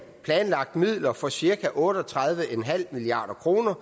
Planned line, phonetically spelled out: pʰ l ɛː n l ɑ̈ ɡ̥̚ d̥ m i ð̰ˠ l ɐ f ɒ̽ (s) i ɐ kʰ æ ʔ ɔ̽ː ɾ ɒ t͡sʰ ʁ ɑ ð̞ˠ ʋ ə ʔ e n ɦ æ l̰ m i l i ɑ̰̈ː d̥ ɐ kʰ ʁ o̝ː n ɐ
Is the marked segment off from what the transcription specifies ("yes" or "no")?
no